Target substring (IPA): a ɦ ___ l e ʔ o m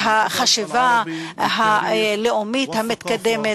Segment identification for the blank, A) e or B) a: B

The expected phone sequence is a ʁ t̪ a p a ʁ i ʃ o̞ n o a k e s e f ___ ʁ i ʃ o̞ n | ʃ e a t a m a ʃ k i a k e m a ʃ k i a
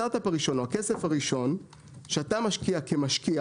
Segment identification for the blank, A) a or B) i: A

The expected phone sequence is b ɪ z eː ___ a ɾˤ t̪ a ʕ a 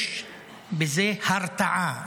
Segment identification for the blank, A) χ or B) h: B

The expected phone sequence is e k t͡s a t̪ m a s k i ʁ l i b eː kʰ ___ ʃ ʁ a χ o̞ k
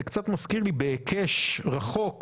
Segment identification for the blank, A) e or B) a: A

